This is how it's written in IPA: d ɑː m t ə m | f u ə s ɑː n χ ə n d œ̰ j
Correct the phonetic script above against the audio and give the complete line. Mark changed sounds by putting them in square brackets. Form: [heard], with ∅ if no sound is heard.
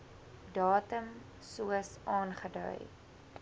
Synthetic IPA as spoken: d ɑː [∅] t ə m | [s] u ə s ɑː n χ ə [∅] d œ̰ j